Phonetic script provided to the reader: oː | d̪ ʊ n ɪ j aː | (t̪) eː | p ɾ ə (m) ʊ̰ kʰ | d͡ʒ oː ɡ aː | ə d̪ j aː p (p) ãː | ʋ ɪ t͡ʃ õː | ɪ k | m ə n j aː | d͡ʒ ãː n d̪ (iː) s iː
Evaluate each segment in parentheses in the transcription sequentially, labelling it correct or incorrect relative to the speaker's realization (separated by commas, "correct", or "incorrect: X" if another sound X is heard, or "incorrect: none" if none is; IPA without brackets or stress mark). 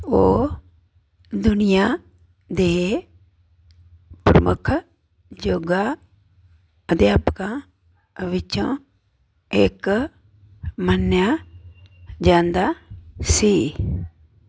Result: incorrect: d̪, correct, incorrect: k, incorrect: aː